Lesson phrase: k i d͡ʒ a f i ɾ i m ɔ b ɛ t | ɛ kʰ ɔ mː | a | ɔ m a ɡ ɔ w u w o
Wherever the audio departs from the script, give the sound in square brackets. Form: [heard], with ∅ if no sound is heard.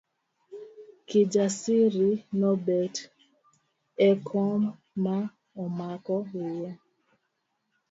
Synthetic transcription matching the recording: k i d͡ʒ a [s] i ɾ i [n] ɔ b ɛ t | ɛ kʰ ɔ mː | a | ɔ m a [k] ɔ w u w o